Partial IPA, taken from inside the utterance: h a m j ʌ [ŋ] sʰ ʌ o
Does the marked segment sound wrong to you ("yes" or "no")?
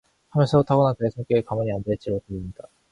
yes